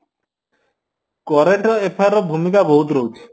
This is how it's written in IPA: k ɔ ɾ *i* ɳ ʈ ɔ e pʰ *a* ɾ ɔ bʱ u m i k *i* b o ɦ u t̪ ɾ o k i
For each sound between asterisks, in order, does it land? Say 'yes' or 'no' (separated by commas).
no, yes, no